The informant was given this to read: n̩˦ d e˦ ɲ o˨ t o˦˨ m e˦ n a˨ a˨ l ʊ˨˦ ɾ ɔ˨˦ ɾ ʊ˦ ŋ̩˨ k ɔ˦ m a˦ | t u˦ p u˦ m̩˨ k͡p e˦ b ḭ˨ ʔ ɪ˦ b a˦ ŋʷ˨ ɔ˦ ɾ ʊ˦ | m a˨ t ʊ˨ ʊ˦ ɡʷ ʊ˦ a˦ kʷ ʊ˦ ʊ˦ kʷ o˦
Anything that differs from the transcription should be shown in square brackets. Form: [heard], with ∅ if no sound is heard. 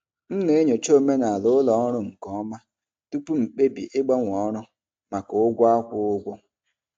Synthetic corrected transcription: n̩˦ [n] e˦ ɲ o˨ [t͡ʃ] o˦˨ m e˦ n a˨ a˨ l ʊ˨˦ [l] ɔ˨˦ ɾ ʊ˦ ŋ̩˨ k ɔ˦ m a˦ | t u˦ p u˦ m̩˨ k͡p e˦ b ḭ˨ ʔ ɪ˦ [ɡ͡b] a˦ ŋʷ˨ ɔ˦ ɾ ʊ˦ | m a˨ [k] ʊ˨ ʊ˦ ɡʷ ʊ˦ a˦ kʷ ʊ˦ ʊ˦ [ɡʷ] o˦